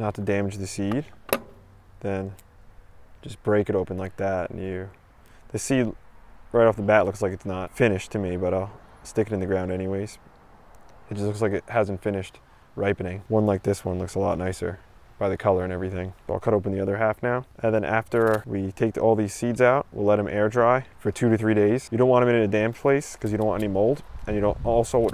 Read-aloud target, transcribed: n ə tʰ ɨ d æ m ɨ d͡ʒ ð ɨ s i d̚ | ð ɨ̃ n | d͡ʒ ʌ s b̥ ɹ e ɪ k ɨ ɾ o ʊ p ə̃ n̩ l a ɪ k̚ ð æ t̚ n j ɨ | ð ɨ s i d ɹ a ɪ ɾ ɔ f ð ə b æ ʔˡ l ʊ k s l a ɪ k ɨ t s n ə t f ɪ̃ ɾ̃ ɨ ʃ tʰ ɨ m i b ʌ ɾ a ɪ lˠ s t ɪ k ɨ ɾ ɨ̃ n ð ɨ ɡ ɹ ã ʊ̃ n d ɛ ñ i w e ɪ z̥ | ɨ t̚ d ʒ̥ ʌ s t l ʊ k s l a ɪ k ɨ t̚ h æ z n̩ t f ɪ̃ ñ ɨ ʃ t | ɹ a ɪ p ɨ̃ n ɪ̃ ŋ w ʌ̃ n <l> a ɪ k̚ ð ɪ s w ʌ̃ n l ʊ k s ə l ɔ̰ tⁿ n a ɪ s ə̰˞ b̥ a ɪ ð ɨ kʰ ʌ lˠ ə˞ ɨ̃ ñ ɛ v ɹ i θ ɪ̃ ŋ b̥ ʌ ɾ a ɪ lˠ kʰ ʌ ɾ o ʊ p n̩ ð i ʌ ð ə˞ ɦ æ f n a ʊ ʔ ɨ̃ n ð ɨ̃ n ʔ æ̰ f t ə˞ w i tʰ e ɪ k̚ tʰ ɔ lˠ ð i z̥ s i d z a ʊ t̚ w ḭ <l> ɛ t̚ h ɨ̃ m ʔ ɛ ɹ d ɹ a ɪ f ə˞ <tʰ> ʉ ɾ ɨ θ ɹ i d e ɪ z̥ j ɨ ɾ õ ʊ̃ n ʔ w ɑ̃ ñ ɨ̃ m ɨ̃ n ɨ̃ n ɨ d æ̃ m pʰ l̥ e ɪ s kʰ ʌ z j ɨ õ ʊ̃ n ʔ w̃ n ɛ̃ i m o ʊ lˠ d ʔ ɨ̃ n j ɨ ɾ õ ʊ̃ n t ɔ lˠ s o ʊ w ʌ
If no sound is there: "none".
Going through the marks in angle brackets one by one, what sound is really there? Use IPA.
l, l, tʰ

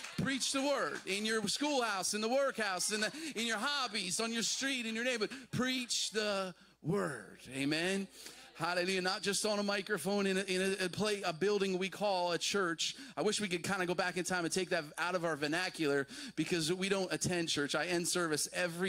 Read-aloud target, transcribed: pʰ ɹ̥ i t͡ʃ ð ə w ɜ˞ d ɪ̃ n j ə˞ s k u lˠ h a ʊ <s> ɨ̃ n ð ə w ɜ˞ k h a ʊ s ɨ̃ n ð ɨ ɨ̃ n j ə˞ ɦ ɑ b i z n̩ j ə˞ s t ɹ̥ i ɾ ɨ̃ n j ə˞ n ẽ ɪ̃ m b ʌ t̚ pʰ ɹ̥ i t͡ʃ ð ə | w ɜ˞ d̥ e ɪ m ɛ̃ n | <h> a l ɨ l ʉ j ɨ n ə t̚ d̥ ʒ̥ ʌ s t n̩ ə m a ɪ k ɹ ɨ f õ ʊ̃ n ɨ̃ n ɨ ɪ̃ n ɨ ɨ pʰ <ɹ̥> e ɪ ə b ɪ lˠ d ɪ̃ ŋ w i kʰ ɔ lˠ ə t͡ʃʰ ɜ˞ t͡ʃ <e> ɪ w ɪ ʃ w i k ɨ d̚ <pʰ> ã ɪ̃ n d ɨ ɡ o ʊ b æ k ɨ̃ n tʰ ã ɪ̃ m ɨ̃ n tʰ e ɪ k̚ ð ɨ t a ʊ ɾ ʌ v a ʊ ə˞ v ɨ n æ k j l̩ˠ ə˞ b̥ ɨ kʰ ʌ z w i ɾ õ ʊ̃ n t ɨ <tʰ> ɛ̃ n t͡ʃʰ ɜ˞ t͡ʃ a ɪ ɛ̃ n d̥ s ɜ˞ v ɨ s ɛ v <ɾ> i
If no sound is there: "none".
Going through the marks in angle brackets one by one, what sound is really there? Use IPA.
s, h, l̥, a, kʰ, tʰ, ɹ

